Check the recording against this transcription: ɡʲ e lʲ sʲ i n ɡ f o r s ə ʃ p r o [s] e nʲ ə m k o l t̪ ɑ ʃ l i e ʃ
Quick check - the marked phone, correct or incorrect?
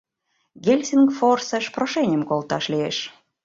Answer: incorrect